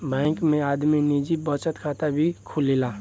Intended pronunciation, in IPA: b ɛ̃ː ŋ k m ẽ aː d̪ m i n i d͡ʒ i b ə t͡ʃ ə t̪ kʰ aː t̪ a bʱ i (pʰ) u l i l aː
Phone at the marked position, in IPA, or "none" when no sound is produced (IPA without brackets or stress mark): kʰ